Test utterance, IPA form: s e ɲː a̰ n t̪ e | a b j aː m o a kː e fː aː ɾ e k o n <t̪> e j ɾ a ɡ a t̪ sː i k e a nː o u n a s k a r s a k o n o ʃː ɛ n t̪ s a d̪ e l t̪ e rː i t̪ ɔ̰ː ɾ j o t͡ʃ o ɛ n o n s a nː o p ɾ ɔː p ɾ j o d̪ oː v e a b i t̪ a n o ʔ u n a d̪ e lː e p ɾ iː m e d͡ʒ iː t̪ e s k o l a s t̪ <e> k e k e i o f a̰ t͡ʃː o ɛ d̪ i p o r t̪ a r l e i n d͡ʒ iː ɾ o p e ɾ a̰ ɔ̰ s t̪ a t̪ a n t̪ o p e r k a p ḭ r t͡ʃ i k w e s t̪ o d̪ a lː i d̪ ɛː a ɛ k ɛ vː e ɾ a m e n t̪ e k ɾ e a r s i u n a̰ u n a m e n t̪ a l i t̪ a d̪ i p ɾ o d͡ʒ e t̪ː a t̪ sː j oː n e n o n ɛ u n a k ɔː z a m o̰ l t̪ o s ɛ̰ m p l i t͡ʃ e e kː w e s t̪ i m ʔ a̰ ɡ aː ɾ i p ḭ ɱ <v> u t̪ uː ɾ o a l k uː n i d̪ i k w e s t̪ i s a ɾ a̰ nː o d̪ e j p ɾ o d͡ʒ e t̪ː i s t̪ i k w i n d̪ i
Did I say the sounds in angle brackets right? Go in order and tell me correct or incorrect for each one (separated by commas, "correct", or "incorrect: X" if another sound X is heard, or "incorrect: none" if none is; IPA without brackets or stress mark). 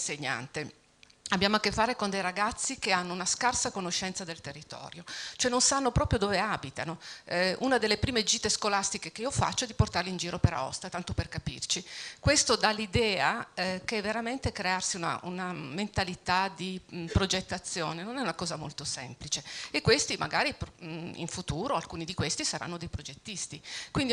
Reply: incorrect: d̪, incorrect: i, incorrect: f